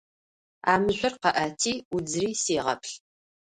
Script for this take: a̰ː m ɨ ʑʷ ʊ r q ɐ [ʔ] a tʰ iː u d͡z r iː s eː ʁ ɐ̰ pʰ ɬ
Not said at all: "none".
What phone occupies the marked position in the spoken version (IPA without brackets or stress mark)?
ʔ